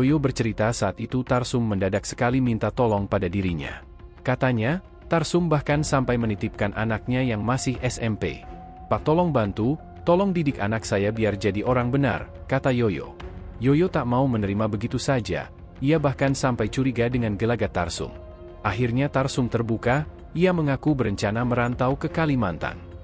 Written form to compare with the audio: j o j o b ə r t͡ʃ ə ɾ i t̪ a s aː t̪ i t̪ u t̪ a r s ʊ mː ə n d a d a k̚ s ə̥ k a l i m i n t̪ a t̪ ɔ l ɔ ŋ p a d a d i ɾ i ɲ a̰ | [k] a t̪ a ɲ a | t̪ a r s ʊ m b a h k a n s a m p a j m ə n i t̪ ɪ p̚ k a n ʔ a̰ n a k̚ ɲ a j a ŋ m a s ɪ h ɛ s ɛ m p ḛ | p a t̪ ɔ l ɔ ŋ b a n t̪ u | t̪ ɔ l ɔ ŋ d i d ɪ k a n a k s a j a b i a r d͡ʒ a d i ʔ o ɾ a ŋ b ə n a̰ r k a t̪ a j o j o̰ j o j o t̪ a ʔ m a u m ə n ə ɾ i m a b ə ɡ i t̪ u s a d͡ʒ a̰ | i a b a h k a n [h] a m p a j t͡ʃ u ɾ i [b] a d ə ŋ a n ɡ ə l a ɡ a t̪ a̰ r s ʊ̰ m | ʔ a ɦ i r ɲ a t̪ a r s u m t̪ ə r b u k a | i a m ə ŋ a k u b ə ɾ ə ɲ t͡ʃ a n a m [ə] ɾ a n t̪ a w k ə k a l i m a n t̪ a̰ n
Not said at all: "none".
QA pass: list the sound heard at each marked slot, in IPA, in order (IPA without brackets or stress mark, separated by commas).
k, s, ɡ, ə